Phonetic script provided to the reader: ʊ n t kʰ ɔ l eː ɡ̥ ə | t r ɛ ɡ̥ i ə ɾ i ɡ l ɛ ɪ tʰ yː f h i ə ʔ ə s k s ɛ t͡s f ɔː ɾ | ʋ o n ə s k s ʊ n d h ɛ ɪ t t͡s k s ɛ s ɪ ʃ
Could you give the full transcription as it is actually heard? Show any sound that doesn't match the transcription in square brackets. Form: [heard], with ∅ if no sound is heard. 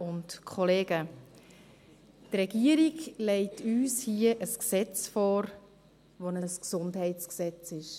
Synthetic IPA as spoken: ʊ n t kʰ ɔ l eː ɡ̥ ə | t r ɛ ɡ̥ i ə ɾ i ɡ l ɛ ɪ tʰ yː [s] h i ə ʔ ə s k s ɛ t͡s f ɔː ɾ | ʋ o n ə s k s ʊ n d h ɛ ɪ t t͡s k s ɛ [t͡s] ɪ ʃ